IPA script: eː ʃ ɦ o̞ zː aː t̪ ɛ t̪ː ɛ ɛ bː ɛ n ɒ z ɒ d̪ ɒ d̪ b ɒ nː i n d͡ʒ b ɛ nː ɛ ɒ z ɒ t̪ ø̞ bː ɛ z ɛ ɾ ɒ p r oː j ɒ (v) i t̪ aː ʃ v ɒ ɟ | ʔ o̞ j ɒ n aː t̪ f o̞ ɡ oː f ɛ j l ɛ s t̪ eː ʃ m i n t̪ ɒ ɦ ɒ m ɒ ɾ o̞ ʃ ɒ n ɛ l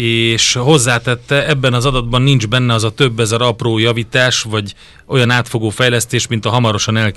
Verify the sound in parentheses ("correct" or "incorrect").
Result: correct